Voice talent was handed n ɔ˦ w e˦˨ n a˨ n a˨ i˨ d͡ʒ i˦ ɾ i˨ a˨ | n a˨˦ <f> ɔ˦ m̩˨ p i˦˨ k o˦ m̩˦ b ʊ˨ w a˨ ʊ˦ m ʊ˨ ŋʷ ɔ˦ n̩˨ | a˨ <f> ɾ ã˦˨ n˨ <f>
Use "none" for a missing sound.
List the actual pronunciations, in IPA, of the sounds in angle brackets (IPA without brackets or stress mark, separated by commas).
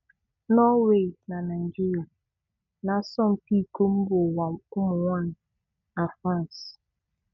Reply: s, f, s